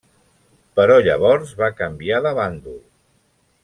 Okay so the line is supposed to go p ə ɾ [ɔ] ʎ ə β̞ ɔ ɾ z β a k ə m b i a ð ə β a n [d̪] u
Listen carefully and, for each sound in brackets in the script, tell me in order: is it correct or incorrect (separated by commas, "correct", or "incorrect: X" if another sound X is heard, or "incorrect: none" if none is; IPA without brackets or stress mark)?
correct, correct